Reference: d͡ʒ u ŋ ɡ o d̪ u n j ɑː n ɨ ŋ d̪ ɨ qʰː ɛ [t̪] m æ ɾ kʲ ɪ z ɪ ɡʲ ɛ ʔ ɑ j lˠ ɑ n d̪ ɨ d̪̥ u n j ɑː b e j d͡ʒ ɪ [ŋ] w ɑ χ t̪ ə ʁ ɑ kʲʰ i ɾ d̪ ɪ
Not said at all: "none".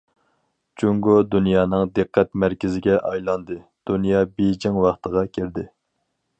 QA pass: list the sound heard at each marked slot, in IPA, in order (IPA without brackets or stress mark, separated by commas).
t̪, ŋ